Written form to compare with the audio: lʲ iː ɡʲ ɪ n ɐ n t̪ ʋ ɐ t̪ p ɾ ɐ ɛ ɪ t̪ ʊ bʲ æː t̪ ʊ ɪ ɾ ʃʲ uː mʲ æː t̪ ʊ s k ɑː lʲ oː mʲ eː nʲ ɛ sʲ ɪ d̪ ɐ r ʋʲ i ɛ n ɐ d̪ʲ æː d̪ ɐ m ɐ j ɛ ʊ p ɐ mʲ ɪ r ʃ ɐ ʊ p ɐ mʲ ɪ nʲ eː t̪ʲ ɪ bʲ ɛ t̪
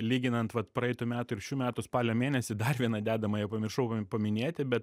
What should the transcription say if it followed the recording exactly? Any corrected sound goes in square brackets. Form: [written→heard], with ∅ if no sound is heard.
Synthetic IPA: lʲ iː ɡʲ ɪ n ɐ n t̪ ʋ ɐ t̪ p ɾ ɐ ɛ ɪ t̪ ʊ [bʲ→mʲ] æː t̪ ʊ ɪ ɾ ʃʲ uː mʲ æː t̪ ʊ s [k→p] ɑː lʲ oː mʲ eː nʲ ɛ sʲ ɪ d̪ ɐ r ʋʲ i ɛ n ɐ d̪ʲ æː d̪ ɐ m ɐ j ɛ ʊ p ɐ mʲ ɪ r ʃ ɐ ʊ p ɐ mʲ ɪ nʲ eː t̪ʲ ɪ bʲ ɛ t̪

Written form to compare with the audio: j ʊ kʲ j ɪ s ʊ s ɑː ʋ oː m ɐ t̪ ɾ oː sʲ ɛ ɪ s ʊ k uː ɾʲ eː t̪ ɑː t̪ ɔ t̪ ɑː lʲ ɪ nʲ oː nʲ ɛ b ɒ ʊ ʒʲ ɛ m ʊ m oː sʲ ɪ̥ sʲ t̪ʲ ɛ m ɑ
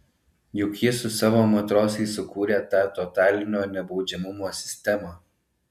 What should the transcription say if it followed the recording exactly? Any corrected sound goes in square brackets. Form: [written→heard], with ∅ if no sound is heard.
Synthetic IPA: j ʊ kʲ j ɪ s ʊ s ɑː ʋ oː m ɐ t̪ ɾ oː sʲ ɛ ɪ s ʊ k uː ɾʲ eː t̪ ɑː t̪ ɔ t̪ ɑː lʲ ɪ nʲ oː nʲ ɛ b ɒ ʊ [ʒʲ→d͡ʒʲ] ɛ m ʊ m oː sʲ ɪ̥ sʲ t̪ʲ ɛ m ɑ

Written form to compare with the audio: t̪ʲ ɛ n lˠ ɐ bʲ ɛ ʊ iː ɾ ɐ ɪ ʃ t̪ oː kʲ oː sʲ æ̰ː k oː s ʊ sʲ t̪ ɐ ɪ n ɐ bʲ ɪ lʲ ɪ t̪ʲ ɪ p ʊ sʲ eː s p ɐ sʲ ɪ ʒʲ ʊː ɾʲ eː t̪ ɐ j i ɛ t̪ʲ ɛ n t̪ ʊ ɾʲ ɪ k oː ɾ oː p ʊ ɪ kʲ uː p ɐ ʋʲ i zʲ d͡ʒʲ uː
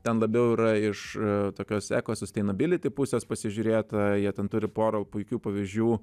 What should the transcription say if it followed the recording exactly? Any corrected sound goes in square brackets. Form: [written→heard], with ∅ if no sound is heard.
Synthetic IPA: t̪ʲ ɛ n lˠ ɐ bʲ ɛ ʊ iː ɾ ɐ ɪ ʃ t̪ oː kʲ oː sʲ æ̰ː k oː s ʊ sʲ t̪ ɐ ɪ n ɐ bʲ ɪ lʲ ɪ t̪ʲ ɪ p ʊ sʲ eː s p ɐ sʲ ɪ ʒʲ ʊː ɾʲ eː t̪ ɐ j i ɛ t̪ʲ ɛ n t̪ ʊ ɾʲ ɪ [k→p] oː ɾ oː p ʊ ɪ kʲ uː p ɐ ʋʲ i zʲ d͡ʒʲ uː

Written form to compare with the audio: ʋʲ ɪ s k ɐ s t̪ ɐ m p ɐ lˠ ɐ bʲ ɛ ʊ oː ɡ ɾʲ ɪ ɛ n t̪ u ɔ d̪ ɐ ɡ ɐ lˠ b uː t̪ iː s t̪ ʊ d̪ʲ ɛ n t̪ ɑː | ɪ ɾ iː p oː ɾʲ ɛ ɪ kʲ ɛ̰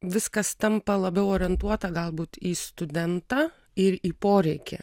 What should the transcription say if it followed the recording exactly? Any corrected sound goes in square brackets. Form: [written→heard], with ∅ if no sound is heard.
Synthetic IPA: ʋʲ ɪ s k ɐ s t̪ ɐ m p ɐ lˠ ɐ bʲ ɛ ʊ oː [ɡ→∅] ɾʲ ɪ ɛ n t̪ u ɔ [d̪→t̪] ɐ ɡ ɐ lˠ b uː t̪ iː s t̪ ʊ d̪ʲ ɛ n t̪ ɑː | ɪ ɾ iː p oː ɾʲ ɛ ɪ kʲ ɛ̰

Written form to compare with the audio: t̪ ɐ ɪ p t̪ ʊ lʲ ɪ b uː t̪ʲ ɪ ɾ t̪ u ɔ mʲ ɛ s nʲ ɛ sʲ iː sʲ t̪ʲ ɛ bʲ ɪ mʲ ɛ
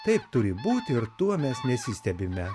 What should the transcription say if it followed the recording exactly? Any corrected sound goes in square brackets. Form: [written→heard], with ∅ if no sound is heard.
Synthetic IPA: t̪ ɐ ɪ p t̪ ʊ [lʲ→ɾʲ] ɪ b uː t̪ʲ ɪ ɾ t̪ u ɔ mʲ ɛ s nʲ ɛ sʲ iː sʲ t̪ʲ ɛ bʲ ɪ mʲ ɛ

